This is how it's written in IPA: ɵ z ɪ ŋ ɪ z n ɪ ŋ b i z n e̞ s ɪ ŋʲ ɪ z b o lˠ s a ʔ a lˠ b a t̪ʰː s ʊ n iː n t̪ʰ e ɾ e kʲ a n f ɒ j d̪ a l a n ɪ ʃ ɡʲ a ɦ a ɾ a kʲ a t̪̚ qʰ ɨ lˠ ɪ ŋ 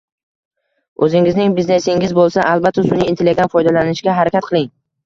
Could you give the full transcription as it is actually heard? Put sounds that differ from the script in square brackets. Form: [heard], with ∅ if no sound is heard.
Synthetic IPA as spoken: ɵ z ɪ ŋ ɪ z n ɪ ŋ b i z n e̞ s ɪ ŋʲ ɪ z b o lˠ s a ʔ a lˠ b a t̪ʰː s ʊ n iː n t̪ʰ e [l] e [ɡʲ] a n f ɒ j d̪ a l a n ɪ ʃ ɡʲ a ɦ a ɾ a kʲ a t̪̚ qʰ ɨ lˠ ɪ ŋ